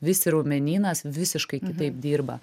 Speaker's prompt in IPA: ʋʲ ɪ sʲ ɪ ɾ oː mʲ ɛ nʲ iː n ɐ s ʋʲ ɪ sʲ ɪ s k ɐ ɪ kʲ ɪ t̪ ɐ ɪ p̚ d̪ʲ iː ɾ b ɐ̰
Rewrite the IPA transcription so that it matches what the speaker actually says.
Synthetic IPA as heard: ʋʲ ɪ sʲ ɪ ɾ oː mʲ ɛ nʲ iː n ɐ s ʋʲ ɪ sʲ ɪ ʃ k ɐ ɪ kʲ ɪ t̪ ɐ ɪ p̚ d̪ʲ iː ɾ b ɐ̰

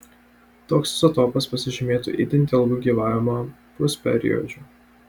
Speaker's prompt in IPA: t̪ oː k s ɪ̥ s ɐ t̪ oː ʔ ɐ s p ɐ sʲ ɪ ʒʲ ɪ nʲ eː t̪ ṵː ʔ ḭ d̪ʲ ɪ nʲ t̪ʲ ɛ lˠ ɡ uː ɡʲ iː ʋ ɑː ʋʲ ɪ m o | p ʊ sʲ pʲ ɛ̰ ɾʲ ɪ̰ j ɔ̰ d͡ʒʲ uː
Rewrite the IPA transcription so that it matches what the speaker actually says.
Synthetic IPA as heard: t̪ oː k s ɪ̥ s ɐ t̪ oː p ɐ s p ɐ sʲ ɪ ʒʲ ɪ mʲ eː t̪ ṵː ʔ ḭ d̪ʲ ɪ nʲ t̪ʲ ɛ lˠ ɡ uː ɡʲ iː ʋ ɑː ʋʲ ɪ m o | p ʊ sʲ pʲ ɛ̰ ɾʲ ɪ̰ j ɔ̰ d͡ʒʲ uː

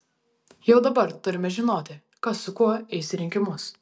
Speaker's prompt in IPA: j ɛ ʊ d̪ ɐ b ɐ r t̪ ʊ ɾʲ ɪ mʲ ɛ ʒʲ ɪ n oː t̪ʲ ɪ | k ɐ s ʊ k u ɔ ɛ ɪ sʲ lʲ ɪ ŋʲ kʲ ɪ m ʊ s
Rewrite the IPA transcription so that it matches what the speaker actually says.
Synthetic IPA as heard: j ɛ ʊ d̪ ɐ b ɐ ɾ t̪ ʊ ɾʲ ɪ mʲ ɛ ʒʲ ɪ n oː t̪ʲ ɪ | k ɐ s ʊ k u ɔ ɛ ɪ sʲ ɾʲ ɪ ŋʲ kʲ ɪ m ʊ s

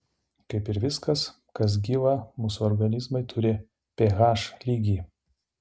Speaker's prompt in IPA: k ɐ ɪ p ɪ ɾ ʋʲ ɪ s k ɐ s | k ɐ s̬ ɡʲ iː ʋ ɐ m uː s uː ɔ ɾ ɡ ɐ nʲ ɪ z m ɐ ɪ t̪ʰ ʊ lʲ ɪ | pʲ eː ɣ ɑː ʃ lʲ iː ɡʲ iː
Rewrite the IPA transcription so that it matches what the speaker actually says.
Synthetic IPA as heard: k ɐ ɪ p ɪ ɾ ʋʲ ɪ s k ɐ s | k ɐ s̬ ɡʲ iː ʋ ɐ m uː s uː ɔ ɾ ɡ ɐ nʲ ɪ z m ɐ ɪ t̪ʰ ʊ ɾʲ ɪ | pʲ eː ɣ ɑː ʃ lʲ iː ɡʲ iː

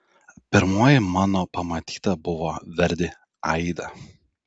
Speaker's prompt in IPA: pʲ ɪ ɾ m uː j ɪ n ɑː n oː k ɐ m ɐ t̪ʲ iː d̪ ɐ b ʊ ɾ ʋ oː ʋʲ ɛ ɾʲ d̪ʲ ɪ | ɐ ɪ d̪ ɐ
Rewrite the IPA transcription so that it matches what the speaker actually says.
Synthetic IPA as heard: pʲ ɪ ɾ m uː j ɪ m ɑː n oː p ɐ m ɐ t̪ʲ iː t̪ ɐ b ʊ ʋ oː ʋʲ ɛ ɾʲ d̪ʲ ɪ | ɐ ɪ d̪ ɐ

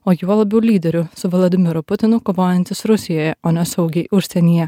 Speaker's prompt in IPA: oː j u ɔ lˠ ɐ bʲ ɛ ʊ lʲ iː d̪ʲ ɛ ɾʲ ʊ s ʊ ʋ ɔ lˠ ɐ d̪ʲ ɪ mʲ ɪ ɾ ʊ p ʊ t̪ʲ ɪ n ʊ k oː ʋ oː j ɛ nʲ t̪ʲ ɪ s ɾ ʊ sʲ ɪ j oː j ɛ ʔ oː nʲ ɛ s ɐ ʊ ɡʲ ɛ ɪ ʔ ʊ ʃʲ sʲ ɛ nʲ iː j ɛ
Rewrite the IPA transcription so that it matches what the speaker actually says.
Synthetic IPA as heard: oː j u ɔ lˠ ɐ bʲ ɛ ʊ lʲ iː d̪ʲ ɛ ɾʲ ʊ s ʊ ʋ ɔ lˠ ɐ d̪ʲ ɪ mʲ ɪ ɾ ʊ p ʊ t̪ʲ ɪ n ʊ k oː ʋ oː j ɛ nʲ t̪ʲ ɪ s ɾ ʊ sʲ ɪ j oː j ɛ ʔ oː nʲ ɛ s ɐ ʊ ɡʲ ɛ ɪ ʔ ʊ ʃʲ sʲ ɛ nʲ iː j ɛ

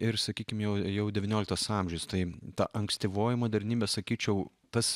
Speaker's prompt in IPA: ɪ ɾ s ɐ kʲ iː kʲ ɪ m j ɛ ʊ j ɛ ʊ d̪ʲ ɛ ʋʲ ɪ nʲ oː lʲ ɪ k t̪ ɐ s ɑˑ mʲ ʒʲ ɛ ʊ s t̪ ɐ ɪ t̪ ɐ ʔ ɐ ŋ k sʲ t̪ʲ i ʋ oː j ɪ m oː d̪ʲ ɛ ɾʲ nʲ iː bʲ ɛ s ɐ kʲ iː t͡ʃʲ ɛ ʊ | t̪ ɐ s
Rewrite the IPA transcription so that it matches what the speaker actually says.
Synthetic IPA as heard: ɪ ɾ s ɐ kʲ iː kʲ ɪ m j ɛ ʊ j ɛ ʊ d̪ʲ ɛ ʋʲ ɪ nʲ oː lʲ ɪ k t̪ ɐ s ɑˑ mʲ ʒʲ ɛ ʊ s t̪ ɐ ɪ t̪ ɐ ʔ ɐ ŋ k sʲ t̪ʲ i ʋ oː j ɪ m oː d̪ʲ ɛ ɾʲ nʲ iː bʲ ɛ s ɐ kʲ iː t͡ʃʲ ɛ ʊ | t̪ ɐ s

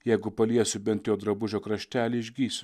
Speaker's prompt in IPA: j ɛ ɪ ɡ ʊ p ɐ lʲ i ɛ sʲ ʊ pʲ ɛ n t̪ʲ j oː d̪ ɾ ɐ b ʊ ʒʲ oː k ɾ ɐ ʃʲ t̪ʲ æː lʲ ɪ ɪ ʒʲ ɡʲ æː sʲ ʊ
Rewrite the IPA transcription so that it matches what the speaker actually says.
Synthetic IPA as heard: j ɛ ɪ ɡ ʊ p ɐ lʲ i ɛ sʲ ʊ bʲ ɛ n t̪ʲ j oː d̪ ɾ ɐ b ʊ ʒʲ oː k ɾ ɐ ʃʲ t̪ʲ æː lʲ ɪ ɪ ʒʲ ɡʲ iː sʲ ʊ

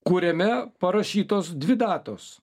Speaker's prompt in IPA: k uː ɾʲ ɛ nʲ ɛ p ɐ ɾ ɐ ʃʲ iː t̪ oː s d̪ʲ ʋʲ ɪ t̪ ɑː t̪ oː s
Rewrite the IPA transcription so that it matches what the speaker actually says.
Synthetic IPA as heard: k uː ɾʲ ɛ mʲ ɛ p ɐ ɾ ɐ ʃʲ iː t̪ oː s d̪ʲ ʋʲ ɪ d̪ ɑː t̪ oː s

